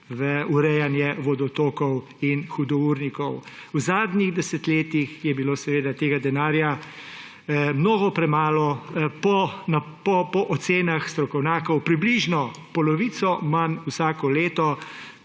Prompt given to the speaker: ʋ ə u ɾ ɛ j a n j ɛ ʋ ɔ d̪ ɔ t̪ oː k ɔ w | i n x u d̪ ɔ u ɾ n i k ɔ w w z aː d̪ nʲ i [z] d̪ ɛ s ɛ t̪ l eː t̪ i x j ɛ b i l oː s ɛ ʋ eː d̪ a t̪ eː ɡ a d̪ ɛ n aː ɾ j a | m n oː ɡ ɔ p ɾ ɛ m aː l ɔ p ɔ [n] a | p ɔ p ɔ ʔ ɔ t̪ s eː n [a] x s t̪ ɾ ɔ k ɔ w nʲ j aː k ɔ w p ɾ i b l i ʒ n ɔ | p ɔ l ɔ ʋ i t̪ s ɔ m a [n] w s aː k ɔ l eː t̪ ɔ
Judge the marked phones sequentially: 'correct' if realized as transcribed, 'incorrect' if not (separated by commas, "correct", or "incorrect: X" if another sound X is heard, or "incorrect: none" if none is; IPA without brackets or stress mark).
incorrect: ɣ, correct, correct, correct